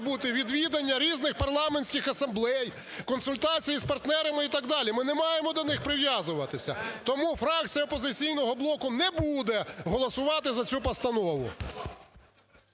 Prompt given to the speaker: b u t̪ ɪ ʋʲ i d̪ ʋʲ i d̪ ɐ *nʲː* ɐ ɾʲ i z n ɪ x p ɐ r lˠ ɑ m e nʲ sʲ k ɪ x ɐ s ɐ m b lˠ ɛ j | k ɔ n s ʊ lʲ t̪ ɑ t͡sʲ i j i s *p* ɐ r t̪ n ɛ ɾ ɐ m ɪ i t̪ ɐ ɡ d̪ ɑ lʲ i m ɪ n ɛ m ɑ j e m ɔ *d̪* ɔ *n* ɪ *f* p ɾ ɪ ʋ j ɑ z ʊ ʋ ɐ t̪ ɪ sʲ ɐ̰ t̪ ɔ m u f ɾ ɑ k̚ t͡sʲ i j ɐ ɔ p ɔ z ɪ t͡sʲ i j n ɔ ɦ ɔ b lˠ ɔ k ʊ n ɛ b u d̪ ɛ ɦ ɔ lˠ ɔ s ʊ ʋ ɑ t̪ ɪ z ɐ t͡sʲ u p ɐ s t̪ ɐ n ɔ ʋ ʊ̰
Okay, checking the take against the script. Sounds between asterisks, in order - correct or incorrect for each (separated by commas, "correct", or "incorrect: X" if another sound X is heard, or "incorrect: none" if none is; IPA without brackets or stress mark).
correct, correct, correct, correct, incorrect: x